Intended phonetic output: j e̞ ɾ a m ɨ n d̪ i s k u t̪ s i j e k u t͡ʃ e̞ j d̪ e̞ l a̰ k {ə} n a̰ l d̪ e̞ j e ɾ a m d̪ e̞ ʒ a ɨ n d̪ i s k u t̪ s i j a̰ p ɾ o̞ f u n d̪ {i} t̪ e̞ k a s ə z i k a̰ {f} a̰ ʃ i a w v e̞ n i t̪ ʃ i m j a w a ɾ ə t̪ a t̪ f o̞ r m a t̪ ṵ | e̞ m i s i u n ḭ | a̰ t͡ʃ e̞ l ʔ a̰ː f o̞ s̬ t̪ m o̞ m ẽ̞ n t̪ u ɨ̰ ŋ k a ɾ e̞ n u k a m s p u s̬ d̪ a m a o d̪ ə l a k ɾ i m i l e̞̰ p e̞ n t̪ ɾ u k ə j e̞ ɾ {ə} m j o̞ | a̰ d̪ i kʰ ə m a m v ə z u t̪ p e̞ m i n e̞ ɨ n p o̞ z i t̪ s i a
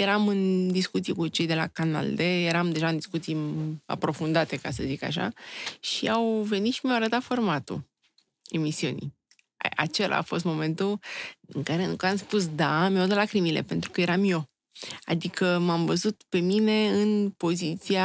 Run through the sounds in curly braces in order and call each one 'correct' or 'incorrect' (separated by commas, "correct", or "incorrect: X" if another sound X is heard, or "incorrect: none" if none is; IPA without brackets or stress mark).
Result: incorrect: a, incorrect: a, incorrect: ʃ, incorrect: a